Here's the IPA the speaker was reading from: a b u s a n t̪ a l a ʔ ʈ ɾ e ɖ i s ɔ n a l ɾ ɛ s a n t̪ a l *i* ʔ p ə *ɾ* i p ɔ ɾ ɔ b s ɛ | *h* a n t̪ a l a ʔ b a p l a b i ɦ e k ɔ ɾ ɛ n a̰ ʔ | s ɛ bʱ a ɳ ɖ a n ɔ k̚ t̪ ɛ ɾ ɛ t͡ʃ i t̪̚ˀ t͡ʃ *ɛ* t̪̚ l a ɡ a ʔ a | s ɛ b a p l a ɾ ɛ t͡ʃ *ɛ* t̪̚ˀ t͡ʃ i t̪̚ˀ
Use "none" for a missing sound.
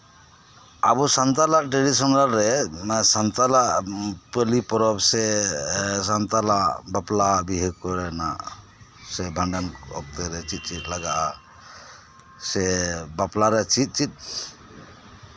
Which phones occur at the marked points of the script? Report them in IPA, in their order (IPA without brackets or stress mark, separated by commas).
a, l, s, i, i